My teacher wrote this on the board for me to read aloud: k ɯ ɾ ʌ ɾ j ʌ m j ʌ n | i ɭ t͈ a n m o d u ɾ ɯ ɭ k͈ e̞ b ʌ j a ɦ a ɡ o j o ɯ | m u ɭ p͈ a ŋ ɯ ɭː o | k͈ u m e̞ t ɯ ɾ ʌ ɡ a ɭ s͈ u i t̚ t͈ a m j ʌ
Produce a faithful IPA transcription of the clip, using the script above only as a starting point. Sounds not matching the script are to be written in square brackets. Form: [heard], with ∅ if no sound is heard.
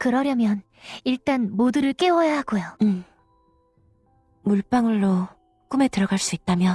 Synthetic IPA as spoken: k ɯ ɾ ʌ ɾ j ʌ m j ʌ n | i ɭ t͈ a n m o d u ɾ ɯ ɭ k͈ e̞ [w] ʌ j a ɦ a ɡ o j o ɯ | m u ɭ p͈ a ŋ ɯ ɭː o | k͈ u m e̞ t ɯ ɾ ʌ ɡ a ɭ s͈ u i t̚ t͈ a m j ʌ